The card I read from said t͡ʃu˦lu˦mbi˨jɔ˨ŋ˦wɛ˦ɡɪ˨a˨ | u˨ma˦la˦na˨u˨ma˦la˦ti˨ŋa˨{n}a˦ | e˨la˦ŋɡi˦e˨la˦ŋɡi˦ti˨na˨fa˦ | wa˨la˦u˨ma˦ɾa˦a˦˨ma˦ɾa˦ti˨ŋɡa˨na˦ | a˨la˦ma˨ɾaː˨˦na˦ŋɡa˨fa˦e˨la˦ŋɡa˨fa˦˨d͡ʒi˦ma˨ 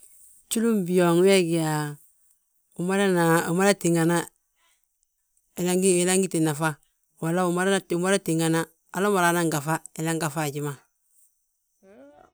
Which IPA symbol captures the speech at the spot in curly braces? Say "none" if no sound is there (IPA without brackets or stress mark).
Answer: n